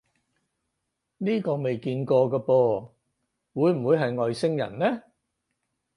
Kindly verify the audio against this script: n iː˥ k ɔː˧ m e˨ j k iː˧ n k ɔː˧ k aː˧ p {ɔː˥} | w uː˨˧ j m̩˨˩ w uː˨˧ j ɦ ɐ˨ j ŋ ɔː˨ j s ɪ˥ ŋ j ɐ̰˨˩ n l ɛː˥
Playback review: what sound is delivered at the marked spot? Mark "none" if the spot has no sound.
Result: ɔː˧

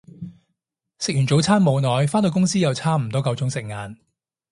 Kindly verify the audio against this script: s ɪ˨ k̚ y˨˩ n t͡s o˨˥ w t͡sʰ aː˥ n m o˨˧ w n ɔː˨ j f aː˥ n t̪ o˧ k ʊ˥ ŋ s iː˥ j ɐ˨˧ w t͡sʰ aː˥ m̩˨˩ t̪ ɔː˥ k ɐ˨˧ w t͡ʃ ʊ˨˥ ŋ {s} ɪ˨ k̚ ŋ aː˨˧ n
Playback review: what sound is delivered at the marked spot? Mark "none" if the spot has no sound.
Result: s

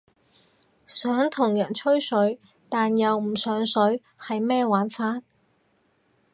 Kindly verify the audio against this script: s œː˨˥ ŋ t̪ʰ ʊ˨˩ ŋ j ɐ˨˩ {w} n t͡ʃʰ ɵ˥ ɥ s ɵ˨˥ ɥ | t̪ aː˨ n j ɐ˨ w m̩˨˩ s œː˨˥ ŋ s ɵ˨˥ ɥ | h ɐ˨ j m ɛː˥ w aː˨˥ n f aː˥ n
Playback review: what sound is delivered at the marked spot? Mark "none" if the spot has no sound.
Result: none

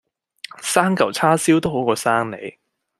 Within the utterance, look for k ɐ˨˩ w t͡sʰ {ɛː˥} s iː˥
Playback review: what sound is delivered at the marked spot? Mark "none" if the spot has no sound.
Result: aː˥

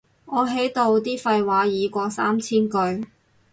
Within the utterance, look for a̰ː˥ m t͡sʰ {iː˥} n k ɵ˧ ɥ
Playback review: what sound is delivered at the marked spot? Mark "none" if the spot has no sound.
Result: iː˥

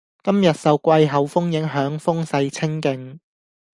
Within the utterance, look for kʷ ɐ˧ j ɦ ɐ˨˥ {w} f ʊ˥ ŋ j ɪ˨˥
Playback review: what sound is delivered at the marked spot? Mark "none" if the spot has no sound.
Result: w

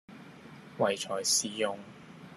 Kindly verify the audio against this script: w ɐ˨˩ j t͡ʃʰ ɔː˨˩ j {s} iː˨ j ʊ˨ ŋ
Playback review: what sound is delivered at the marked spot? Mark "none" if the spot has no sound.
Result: s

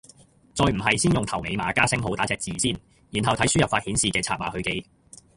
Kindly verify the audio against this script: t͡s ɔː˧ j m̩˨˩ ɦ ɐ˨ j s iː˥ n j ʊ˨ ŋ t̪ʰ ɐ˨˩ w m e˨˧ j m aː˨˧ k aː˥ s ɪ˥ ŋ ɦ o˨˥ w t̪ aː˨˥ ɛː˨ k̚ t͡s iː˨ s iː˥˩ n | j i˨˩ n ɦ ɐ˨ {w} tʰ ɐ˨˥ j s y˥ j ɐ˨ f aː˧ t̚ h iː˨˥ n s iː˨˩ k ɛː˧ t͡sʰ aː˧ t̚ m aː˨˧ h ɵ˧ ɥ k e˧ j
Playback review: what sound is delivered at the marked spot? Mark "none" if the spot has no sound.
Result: w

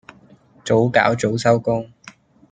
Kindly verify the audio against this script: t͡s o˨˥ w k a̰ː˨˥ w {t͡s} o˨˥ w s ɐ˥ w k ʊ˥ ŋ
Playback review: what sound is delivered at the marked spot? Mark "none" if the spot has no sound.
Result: t͡s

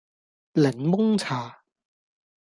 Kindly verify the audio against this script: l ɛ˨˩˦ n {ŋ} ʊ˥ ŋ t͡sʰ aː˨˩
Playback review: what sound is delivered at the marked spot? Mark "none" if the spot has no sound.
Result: m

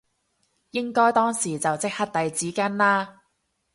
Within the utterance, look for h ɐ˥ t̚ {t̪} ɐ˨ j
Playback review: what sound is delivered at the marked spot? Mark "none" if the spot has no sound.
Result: t̪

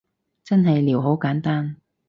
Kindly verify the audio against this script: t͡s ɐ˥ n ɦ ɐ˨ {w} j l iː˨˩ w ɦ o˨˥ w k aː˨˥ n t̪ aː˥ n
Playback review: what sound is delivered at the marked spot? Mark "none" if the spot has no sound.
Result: none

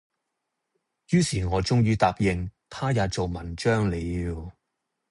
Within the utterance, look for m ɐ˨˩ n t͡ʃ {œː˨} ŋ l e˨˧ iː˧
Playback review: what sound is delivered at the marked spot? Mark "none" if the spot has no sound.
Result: œː˥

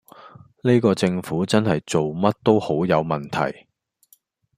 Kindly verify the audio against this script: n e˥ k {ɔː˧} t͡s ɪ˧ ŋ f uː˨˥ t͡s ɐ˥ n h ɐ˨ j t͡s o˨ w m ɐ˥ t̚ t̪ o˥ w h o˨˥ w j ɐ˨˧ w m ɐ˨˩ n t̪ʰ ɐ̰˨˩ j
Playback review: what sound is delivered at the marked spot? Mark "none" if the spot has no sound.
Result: ɔː˧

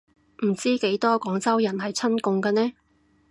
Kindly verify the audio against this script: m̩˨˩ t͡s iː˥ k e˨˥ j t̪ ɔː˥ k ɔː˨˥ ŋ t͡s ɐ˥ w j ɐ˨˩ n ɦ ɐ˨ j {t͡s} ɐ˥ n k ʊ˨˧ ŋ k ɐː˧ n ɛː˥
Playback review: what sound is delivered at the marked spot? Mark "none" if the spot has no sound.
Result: t͡sʰ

